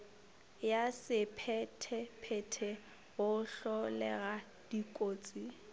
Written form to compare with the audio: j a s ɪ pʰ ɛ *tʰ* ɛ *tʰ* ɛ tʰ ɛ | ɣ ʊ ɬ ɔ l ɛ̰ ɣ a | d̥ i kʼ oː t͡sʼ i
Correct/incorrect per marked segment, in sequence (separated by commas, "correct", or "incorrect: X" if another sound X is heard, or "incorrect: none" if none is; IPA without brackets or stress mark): correct, incorrect: pʰ